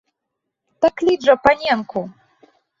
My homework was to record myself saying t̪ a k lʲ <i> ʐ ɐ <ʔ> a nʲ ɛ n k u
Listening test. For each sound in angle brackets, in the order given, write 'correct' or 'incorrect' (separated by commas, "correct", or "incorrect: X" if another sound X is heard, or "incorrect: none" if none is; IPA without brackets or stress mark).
correct, incorrect: p